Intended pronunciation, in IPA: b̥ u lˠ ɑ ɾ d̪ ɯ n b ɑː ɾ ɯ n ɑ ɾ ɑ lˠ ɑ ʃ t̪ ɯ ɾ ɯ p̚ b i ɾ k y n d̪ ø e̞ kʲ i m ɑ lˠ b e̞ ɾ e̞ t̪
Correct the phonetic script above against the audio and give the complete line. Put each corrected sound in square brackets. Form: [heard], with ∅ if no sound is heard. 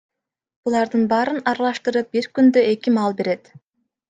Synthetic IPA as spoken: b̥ u lˠ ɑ ɾ d̪ ɯ n b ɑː ɾ ɯ n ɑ ɾ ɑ lˠ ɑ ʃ t̪ ɯ ɾ ɯ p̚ b i ɾ k y n d̪ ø e̞ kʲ i m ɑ lˠ b e̞ ɾ e̞ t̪